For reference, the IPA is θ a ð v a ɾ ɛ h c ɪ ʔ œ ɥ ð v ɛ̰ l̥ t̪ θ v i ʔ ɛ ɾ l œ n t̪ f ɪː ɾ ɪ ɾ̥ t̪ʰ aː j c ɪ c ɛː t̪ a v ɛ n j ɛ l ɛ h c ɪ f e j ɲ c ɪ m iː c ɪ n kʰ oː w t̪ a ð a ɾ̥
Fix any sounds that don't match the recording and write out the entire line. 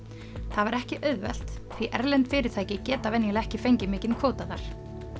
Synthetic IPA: θ a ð v a ɾ ɛ h c ɪ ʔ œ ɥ ð v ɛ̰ l̥ t̪ θ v i ʔ ɛ ɾ l ɛ n t̪ f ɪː ɾ ɪ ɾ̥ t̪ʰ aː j c ɪ c ɛː t̪ a v ɛ n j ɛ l ɛ h c ɪ f e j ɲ c ɪ m ɪː c ɪ n kʰ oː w t̪ a ð a ɾ̥